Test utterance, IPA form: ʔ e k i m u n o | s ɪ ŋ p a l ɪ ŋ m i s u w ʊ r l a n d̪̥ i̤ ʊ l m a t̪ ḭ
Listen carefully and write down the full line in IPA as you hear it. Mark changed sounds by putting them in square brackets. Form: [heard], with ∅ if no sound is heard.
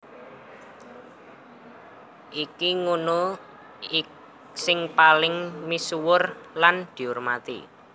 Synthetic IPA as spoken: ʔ [i] k i [ŋ] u n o | s ɪ ŋ p a l ɪ ŋ m i s u w ʊ r l a n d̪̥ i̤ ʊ [r] m a t̪ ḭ